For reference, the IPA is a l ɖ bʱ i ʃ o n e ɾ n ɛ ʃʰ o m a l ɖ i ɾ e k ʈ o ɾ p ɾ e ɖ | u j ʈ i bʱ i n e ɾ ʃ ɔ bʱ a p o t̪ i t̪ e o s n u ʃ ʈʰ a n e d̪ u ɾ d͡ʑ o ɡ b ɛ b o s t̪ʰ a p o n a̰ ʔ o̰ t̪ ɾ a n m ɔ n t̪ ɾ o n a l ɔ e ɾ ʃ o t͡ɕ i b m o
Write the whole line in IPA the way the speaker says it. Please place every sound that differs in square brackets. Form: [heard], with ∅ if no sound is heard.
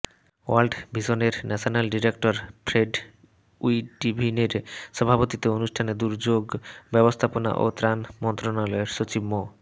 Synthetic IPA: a l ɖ bʱ i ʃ o n e ɾ n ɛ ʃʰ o [n] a l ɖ i ɾ e k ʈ o ɾ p ɾ e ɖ | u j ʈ i bʱ i n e ɾ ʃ ɔ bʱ a p o t̪ i t̪ e o [∅] n u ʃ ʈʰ a n e d̪ u ɾ d͡ʑ o ɡ b ɛ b o s t̪ʰ a p o n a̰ ʔ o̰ t̪ ɾ a n m ɔ n t̪ ɾ o n a l ɔ e ɾ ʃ o t͡ɕ i b m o